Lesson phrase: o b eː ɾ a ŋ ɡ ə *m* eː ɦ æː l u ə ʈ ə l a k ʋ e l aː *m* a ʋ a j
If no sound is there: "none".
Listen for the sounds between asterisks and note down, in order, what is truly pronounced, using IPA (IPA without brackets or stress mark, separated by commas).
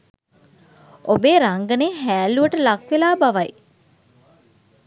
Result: n, b